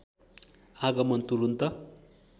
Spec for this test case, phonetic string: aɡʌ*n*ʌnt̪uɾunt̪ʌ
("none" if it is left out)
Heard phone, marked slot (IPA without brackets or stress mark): m